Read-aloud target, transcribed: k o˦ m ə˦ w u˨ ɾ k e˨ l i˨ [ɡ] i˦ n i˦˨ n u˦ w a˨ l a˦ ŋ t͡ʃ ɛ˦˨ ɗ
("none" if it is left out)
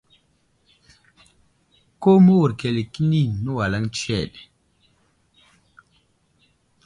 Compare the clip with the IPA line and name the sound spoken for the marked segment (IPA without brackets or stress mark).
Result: k